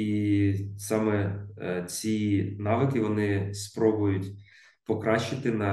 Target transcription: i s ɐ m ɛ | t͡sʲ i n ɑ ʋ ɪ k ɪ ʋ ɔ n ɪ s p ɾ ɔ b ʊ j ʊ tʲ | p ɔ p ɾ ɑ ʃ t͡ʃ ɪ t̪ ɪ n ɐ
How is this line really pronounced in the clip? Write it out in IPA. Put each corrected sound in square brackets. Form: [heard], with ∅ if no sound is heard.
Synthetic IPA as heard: i s [ɑ] m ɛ | t͡sʲ i n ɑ ʋ ɪ k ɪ ʋ ɔ n ɪ s p ɾ ɔ b ʊ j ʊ tʲ | p ɔ [k] ɾ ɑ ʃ t͡ʃ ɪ t̪ ɪ n ɐ